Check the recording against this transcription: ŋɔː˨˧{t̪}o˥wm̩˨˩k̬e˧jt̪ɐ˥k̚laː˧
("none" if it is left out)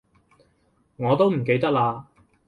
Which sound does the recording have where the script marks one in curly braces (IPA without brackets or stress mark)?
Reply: t̪